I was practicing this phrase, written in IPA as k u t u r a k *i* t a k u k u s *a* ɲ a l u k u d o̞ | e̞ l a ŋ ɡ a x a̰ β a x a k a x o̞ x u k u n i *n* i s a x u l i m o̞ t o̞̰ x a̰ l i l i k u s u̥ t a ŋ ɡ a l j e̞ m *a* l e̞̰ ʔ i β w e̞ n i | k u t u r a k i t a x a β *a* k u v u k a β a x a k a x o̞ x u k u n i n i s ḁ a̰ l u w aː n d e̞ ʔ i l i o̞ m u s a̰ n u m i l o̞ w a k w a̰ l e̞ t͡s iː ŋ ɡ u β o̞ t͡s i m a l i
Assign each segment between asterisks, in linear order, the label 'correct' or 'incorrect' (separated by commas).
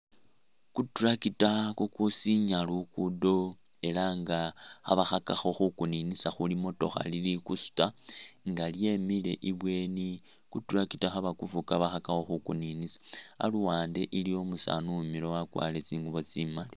correct, incorrect, correct, incorrect, correct